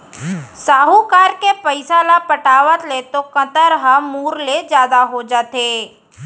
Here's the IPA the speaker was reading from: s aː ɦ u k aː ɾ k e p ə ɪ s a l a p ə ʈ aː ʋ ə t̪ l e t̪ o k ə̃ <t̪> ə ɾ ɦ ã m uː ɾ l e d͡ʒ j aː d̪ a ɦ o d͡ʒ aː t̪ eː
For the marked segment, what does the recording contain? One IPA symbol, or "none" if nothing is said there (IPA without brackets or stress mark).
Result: t̪